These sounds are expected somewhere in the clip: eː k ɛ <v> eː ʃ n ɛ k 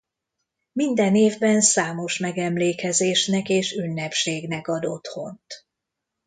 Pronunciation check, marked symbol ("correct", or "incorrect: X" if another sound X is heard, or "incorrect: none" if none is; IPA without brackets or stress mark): incorrect: z